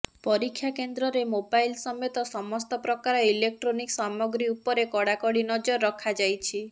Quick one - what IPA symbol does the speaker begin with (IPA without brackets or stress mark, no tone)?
p